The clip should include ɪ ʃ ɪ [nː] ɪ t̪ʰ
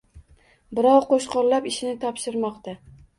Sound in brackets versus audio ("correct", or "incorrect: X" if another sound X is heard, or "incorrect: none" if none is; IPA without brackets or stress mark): incorrect: n